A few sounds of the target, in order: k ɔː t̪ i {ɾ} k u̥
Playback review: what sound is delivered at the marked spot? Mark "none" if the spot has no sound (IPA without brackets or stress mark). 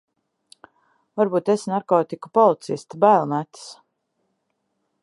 none